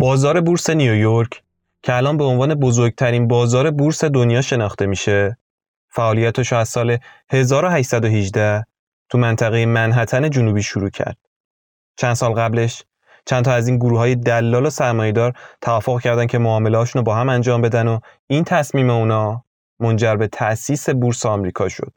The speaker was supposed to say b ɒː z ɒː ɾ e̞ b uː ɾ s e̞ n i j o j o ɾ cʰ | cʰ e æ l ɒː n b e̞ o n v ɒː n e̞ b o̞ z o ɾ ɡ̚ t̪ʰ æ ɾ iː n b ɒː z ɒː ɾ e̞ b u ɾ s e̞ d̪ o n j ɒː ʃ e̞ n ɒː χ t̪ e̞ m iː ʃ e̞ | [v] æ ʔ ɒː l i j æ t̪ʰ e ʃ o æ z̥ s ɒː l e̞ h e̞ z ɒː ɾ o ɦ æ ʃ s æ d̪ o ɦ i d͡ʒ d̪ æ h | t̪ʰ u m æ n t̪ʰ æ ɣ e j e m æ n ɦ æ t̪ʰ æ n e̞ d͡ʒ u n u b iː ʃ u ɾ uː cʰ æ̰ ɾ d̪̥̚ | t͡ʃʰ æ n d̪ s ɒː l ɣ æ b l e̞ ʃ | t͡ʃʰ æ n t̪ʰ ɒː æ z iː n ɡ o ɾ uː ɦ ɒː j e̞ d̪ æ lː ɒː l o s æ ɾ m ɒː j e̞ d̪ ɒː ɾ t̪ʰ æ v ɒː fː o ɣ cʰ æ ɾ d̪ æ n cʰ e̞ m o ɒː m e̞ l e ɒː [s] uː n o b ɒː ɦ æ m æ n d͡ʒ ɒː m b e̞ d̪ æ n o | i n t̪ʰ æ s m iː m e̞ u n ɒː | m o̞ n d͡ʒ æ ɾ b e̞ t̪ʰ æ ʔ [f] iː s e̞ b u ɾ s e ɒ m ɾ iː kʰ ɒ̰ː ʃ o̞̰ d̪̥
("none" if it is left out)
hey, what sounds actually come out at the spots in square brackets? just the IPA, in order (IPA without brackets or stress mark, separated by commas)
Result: f, ʃ, s